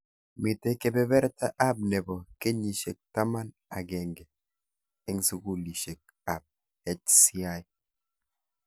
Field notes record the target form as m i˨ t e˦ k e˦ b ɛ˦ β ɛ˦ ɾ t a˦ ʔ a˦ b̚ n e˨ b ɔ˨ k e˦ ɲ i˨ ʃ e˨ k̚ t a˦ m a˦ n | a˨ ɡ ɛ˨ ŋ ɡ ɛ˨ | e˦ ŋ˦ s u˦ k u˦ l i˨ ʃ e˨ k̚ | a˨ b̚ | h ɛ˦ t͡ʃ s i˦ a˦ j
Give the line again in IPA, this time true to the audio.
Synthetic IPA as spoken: m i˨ t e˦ k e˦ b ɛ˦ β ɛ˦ ɾ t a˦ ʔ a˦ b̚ n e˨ b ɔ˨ k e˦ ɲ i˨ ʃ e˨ k̚ t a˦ m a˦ n | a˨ ɡ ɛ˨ ŋ ɡ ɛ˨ | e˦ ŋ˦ s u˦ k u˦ l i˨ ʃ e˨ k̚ | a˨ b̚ | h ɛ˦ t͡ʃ s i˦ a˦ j